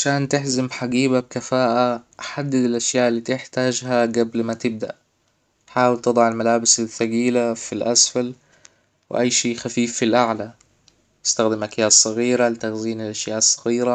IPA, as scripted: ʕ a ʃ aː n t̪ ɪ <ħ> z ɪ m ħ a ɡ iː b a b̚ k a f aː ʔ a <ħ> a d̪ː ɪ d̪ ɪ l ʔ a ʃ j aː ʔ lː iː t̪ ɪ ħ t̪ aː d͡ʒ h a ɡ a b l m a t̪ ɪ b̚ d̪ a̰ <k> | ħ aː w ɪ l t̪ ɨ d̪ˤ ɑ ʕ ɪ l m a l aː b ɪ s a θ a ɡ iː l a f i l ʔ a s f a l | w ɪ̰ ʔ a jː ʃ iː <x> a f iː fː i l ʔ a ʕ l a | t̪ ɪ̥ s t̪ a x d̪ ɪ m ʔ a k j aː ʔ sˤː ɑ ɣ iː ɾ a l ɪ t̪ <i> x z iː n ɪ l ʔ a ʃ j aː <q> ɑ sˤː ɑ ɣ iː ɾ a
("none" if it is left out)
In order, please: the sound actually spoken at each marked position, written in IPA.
ħ, ħ, ʔ, x, a, ʔ

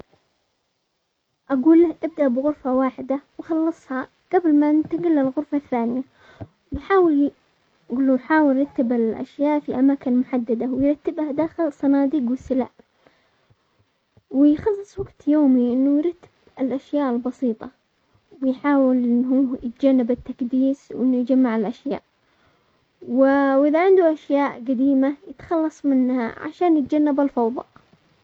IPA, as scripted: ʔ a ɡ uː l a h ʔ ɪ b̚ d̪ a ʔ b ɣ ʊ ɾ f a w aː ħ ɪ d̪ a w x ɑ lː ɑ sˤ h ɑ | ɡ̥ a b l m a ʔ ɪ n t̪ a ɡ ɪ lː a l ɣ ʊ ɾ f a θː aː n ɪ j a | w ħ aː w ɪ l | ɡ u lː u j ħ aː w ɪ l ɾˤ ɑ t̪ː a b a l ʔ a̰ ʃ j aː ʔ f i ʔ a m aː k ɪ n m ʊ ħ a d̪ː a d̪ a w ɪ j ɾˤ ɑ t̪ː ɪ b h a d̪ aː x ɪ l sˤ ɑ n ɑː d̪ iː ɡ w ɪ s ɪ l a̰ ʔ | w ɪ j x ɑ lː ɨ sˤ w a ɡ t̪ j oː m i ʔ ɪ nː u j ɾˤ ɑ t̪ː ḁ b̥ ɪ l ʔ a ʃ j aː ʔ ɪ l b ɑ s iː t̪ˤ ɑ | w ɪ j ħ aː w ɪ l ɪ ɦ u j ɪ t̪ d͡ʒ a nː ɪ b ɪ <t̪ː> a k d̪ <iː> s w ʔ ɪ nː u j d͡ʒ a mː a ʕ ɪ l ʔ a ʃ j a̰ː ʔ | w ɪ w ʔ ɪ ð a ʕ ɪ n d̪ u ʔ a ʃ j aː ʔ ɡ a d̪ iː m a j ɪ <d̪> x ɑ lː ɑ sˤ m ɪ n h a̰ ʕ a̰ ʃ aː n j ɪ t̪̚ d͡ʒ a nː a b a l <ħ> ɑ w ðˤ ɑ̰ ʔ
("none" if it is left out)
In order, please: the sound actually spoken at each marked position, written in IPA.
t̪ː, iː, t̪, f

